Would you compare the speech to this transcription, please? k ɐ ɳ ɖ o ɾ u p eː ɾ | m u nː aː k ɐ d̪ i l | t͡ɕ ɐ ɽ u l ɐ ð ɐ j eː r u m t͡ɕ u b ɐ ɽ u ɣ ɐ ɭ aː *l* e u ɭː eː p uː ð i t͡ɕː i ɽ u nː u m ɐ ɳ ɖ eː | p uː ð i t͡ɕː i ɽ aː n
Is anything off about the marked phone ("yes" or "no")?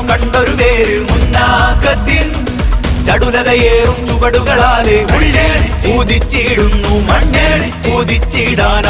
no